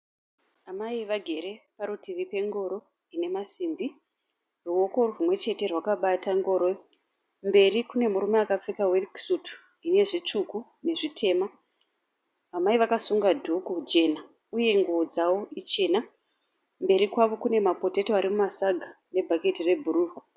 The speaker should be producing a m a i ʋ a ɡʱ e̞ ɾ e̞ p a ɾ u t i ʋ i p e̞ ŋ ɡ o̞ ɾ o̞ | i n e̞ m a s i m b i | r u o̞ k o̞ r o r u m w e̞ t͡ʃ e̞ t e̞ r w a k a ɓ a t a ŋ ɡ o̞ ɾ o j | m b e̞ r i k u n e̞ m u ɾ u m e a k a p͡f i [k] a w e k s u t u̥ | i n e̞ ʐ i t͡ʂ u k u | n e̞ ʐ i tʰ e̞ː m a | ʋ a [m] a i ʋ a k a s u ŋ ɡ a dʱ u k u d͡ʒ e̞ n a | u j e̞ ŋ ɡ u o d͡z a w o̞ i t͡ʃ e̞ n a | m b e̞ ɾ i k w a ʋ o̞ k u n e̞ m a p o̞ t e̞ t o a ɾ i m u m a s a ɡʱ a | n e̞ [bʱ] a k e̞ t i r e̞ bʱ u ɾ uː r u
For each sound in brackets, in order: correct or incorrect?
correct, correct, correct

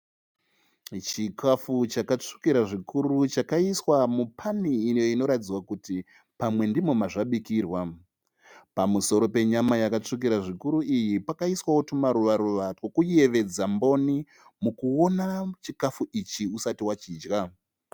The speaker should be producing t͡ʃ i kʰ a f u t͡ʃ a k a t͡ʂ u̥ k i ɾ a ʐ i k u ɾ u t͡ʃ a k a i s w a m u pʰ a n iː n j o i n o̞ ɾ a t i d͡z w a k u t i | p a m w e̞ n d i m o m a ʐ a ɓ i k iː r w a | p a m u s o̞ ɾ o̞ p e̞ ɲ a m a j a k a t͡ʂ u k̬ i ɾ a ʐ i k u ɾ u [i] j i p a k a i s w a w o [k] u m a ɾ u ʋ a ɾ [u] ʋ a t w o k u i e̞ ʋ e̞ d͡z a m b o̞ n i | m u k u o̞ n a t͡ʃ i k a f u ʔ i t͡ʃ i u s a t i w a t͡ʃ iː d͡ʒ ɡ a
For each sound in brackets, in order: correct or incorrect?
correct, incorrect: t, correct

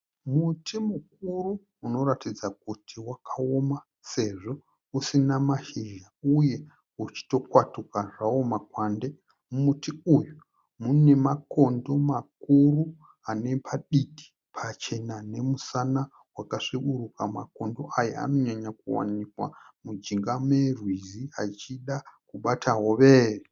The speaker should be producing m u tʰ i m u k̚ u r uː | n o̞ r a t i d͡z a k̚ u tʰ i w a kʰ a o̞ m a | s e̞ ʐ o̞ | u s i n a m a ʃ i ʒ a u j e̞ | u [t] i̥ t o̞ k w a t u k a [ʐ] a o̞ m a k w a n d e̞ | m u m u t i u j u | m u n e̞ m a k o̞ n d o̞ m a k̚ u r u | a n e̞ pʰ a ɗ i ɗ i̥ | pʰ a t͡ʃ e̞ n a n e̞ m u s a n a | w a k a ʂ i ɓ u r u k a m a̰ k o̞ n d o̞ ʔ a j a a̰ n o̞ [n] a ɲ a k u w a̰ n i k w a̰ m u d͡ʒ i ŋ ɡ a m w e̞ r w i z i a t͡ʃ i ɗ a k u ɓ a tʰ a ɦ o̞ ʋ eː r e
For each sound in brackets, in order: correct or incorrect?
incorrect: t͡ʃ, correct, incorrect: ɲ

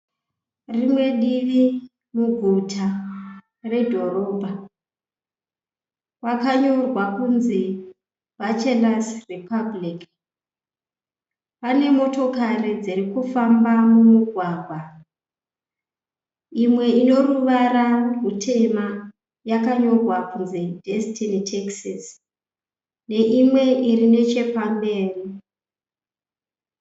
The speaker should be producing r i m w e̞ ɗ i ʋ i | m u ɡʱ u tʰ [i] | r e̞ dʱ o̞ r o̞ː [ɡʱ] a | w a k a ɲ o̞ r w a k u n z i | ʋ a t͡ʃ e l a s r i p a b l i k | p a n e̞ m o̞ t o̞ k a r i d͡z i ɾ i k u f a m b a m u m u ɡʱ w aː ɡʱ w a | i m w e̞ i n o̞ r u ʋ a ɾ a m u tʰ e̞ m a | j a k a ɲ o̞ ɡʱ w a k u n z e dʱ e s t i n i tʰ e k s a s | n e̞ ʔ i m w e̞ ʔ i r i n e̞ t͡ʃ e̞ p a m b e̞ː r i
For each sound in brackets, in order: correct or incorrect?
incorrect: a, incorrect: bʱ

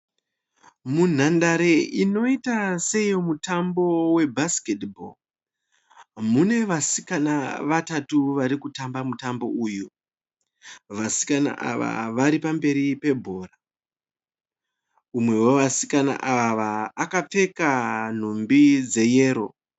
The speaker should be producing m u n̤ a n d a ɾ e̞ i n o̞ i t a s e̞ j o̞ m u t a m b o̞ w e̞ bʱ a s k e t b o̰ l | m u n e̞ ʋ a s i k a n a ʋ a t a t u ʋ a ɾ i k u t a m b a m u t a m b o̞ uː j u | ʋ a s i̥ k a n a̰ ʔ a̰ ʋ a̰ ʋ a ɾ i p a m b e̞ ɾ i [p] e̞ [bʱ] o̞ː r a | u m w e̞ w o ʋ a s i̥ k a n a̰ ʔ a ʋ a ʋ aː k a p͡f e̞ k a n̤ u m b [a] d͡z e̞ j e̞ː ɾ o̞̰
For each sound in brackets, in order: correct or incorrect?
correct, correct, incorrect: i

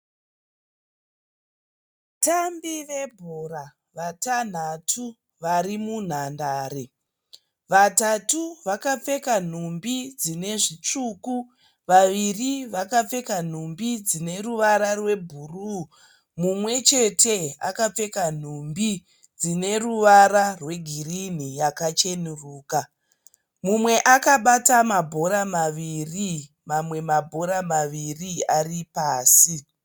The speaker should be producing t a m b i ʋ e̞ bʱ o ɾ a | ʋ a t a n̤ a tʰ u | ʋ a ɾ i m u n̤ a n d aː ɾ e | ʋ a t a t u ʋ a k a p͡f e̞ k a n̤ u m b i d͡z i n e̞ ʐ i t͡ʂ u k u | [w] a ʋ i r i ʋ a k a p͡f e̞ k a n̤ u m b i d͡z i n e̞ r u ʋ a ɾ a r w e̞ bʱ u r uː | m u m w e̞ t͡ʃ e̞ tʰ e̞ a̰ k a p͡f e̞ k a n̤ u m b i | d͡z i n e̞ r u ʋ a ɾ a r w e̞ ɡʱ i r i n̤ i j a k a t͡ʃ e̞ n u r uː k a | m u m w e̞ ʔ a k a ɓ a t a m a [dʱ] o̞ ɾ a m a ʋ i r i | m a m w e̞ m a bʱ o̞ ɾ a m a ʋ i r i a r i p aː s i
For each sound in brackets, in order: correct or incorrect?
incorrect: ʋ, incorrect: bʱ

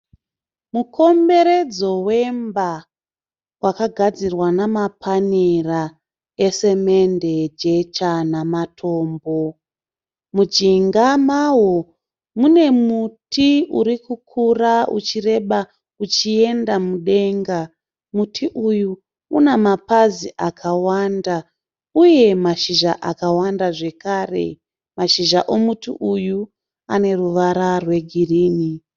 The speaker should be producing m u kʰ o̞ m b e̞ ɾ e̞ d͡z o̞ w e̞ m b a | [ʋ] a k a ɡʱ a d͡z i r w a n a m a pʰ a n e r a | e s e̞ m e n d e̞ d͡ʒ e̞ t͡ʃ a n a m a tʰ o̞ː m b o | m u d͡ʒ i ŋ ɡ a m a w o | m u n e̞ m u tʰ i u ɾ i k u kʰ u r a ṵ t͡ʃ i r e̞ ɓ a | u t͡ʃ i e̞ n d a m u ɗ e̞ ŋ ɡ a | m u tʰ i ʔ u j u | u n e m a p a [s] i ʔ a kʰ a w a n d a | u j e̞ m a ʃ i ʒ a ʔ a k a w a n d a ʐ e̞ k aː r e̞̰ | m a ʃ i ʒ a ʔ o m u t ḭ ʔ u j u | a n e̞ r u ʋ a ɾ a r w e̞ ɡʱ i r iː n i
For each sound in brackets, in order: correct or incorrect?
incorrect: w, incorrect: z

